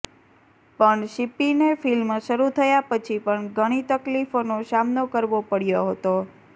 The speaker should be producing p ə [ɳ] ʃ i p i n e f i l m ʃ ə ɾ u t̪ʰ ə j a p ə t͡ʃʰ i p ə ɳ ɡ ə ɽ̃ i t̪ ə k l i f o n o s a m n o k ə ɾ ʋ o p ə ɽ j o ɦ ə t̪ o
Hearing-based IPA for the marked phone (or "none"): ɳ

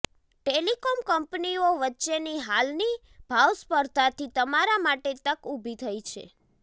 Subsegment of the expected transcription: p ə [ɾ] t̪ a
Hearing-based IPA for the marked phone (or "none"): ɾ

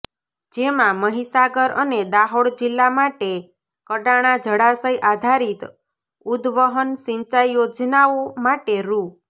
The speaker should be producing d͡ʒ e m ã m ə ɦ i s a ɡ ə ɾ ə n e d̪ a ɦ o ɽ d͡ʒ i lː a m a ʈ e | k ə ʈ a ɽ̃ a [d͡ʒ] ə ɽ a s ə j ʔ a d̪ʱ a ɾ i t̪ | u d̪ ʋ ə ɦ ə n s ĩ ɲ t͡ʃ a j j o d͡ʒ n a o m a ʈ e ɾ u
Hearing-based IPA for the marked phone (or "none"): d͡ʒ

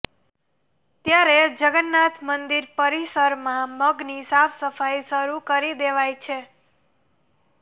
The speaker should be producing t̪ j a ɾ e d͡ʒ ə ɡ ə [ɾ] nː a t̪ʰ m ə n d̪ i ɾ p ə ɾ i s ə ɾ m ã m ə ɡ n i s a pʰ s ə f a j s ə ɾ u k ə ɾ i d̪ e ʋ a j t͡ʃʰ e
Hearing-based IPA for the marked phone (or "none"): none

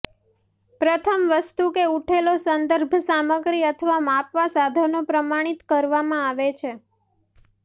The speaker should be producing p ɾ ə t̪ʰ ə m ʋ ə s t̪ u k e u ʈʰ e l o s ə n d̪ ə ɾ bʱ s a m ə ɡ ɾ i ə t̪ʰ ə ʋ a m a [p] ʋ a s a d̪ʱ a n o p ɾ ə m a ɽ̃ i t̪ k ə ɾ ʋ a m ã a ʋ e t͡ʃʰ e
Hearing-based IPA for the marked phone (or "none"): p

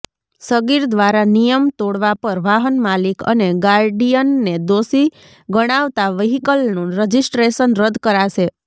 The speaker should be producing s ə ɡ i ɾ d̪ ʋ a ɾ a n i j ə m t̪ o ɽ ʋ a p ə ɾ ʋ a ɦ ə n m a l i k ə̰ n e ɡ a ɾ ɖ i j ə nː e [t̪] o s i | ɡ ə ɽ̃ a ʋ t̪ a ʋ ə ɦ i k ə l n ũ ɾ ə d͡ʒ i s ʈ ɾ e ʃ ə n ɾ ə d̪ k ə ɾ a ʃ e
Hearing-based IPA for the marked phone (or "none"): d̪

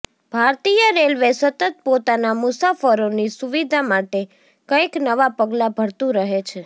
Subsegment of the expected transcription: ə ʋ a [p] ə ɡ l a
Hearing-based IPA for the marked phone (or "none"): p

